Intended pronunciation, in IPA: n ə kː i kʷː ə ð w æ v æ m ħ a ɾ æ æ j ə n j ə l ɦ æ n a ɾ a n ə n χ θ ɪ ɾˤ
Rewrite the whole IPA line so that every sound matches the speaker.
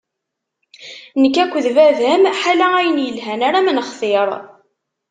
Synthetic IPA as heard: n ə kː æ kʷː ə ð v æ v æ m ħ a l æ æ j ə n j ə l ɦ æ n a ɾ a m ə n χ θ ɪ ɾˤ